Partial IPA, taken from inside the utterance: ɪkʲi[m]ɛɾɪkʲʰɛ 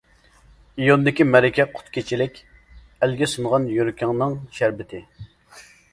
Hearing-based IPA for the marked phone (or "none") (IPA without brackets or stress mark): m